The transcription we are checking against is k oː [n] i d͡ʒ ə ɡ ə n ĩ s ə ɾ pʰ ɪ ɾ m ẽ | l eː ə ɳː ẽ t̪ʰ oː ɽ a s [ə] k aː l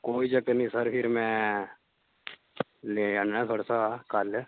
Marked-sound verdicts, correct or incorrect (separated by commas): incorrect, incorrect